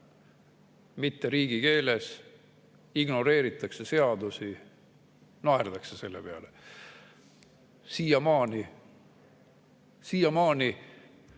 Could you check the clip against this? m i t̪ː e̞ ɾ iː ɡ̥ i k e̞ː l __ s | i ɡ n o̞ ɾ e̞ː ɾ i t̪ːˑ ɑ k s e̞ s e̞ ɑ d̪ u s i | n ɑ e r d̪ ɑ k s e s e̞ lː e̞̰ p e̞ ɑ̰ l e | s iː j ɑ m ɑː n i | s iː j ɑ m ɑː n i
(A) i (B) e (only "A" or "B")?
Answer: B